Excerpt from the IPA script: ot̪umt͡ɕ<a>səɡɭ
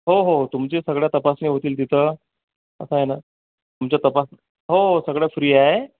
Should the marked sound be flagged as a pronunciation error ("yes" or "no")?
yes